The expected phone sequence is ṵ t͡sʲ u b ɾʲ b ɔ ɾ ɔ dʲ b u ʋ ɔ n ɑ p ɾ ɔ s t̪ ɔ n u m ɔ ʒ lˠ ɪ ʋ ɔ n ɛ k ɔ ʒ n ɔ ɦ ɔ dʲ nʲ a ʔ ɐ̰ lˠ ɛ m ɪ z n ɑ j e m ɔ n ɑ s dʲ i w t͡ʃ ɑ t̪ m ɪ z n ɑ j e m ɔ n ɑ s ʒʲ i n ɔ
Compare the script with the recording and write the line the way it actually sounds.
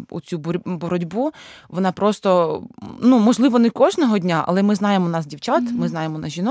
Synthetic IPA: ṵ t͡sʲ u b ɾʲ b ɔ ɾ ɔ dʲ b u ʋ ɔ n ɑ p ɾ ɔ s t̪ ɔ n u m ɔ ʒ lˠ ɪ ʋ ɔ n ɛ k ɔ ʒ n ɔ ɦ ɔ dʲ nʲ a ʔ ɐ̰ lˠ ɛ m ɪ z n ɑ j e m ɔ n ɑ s dʲ i w t͡ʃ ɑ t̪ m ɪ z n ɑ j e m ɔ n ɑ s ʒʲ i n ɔ